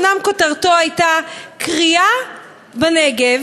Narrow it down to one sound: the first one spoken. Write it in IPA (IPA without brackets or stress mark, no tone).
n